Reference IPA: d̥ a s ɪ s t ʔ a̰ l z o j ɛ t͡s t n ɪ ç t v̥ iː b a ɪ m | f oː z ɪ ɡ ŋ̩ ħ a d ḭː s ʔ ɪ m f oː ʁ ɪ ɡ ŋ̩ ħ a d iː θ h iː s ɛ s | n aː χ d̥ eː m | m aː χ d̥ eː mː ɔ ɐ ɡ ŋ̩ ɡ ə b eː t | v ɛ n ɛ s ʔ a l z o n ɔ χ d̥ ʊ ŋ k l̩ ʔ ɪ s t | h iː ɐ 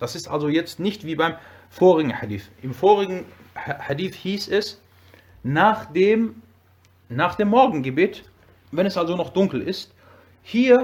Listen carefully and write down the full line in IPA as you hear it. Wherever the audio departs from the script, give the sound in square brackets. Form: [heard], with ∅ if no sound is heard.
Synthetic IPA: d̥ a s ɪ s t ʔ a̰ l z o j ɛ t͡s t n ɪ ç t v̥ iː b a ɪ m | f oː [ʁ] ɪ ɡ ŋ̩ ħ a d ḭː [θ] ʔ ɪ m f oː ʁ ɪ ɡ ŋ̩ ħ a d iː θ h iː s ɛ s | n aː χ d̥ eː m | [n] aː χ d̥ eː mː ɔ ɐ ɡ ŋ̩ ɡ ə b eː t | v ɛ n ɛ s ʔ a l z o n ɔ χ d̥ ʊ ŋ k l̩ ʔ ɪ s t | h iː ɐ